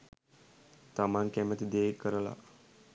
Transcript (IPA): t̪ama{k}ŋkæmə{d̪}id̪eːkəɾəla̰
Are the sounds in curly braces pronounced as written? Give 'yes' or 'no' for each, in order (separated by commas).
no, no